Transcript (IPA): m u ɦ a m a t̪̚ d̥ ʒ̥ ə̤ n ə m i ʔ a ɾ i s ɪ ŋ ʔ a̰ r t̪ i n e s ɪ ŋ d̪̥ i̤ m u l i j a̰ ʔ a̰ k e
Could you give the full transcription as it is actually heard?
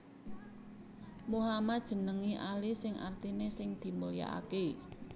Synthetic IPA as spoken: m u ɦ a m a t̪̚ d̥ ʒ̥ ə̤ n ə ŋ i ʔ a l i s ɪ ŋ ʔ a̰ r t̪ i n e s ɪ ŋ d̪̥ i̤ m u l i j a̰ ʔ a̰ k e